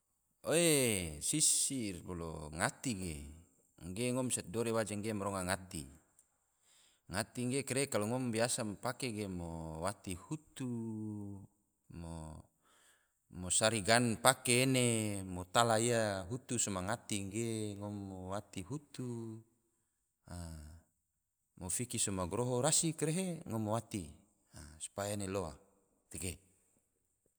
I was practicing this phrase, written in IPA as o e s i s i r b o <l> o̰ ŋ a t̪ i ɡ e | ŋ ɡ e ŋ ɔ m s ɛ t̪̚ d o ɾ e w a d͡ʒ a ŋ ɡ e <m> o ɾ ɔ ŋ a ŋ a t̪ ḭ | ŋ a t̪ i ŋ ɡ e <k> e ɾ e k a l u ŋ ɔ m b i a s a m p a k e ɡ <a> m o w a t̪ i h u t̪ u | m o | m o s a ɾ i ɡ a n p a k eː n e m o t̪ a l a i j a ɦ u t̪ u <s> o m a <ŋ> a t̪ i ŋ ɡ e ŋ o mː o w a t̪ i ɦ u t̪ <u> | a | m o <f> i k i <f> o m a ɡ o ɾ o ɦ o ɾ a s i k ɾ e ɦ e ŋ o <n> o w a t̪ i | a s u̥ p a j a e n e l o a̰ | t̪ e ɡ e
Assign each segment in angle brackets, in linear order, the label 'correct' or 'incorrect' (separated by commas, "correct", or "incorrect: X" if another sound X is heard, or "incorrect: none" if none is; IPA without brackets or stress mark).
correct, correct, correct, incorrect: e, correct, correct, correct, correct, incorrect: s, incorrect: m